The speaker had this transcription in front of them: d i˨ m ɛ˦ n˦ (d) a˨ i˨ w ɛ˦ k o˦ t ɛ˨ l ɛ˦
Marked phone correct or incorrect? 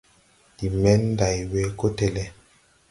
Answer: correct